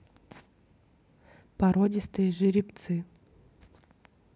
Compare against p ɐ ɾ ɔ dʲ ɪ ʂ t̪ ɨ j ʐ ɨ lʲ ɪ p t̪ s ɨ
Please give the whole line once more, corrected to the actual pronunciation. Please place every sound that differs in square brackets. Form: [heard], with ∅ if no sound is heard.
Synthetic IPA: p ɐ ɾ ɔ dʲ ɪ [s] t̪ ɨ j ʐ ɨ [ɾʲ] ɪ p t̪ s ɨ